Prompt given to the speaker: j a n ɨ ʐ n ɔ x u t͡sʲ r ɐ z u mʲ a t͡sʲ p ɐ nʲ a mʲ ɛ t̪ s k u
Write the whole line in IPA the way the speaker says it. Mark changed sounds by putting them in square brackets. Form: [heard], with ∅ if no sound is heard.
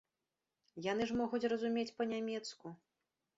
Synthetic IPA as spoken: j a n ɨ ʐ [m] ɔ [ɣ] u t͡sʲ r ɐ z u mʲ [e] t͡sʲ p ɐ nʲ a mʲ ɛ t̪ s k u

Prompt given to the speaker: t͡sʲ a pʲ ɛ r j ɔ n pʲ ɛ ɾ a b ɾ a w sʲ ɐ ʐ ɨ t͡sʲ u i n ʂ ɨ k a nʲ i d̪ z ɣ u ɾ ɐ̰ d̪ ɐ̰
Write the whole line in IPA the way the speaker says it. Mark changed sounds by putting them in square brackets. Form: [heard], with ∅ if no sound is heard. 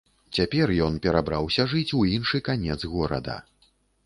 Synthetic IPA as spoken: t͡sʲ a pʲ ɛ r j ɔ n pʲ ɛ ɾ a b ɾ a w sʲ ɐ ʐ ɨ t͡sʲ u i n ʂ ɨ k a nʲ [ɛ] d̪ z ɣ [ɔ] ɾ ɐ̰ d̪ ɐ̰

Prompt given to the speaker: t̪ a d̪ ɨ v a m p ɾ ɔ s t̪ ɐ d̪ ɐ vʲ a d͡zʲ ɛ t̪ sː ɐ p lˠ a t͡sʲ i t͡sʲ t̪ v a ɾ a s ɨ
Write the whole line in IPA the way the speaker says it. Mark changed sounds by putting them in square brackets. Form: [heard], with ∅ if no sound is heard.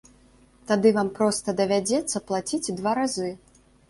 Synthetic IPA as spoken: t̪ a d̪ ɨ v a m p ɾ ɔ s t̪ ɐ d̪ ɐ vʲ a d͡zʲ ɛ t̪ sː ɐ p lˠ a t͡sʲ i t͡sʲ [d̪] v a ɾ a [z] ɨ

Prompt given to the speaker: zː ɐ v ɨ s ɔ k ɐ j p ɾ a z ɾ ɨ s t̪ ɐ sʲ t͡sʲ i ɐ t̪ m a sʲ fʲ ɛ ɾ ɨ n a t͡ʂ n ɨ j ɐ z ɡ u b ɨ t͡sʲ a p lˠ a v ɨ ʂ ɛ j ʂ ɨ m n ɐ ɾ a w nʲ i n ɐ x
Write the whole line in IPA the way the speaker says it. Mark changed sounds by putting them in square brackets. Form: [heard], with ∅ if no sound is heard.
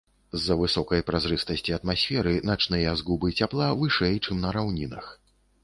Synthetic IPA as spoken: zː ɐ v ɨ s ɔ k ɐ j p ɾ a z ɾ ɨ s t̪ ɐ sʲ t͡sʲ i ɐ t̪ m a sʲ fʲ ɛ ɾ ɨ n a t͡ʂ n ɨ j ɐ z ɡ u b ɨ t͡sʲ a p lˠ a v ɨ ʂ ɛ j [t͡ʂ] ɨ m n ɐ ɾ a w nʲ i n ɐ x

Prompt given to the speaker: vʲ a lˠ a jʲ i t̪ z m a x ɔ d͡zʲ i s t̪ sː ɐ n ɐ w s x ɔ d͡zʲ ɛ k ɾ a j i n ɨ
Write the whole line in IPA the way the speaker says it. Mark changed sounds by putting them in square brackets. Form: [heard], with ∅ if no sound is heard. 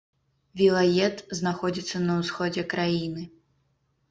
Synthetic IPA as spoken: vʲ [i] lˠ a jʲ [ɛ] t̪ z [n] a x ɔ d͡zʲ i [∅] t̪ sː ɐ n ɐ w s x ɔ d͡zʲ ɛ k ɾ a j i n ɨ

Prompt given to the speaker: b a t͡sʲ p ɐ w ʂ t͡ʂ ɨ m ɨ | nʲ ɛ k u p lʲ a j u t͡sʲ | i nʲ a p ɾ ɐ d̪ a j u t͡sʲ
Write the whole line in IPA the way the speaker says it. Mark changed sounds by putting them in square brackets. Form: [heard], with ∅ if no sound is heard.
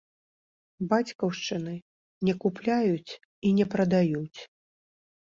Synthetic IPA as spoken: b a t͡sʲ [k] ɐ w ʂ t͡ʂ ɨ [n] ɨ | nʲ ɛ k u p lʲ a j u t͡sʲ | i nʲ [ɛ] p ɾ ɐ d̪ a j u t͡sʲ

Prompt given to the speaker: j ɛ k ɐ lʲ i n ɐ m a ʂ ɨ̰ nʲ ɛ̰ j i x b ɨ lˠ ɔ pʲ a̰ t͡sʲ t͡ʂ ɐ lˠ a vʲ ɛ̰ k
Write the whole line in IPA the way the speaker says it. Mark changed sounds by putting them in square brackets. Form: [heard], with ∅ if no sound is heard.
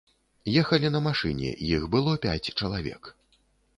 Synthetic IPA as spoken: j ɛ [x] ɐ lʲ i n ɐ m a ʂ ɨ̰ nʲ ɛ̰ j i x b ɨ lˠ ɔ pʲ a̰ t͡sʲ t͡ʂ ɐ lˠ a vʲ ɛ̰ k

